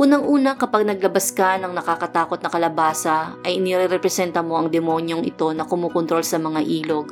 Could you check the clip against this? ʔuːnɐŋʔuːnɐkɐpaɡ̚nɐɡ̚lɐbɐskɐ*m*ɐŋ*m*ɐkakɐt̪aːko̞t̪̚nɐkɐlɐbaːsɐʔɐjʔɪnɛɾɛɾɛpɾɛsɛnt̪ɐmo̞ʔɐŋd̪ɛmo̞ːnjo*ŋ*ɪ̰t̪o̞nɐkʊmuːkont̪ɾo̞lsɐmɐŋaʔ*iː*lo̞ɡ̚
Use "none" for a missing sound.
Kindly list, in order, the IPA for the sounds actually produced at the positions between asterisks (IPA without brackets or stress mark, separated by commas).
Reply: n, n, ŋ, iː